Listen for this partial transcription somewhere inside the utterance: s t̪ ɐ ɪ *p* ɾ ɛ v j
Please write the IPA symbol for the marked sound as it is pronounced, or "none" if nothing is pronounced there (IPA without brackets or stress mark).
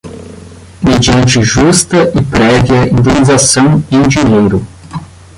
p